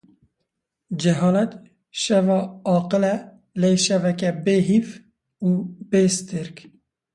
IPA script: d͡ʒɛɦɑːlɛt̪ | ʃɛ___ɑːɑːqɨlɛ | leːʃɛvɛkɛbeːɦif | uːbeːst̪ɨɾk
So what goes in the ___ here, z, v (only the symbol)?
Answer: v